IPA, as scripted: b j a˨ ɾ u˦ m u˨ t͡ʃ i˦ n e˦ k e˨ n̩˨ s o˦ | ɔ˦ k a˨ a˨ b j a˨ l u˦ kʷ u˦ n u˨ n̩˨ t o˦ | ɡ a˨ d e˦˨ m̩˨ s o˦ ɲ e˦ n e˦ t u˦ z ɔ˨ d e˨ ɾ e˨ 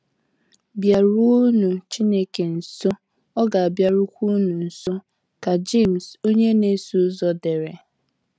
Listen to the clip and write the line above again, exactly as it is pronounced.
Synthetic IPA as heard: b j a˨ ɾ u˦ n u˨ t͡ʃ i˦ n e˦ k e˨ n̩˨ s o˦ | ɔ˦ ɡ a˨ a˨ b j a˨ ɾ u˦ kʷ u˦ n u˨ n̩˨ s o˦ | k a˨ d͡ʒ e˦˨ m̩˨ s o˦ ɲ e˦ n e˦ s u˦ z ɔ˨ d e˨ ɾ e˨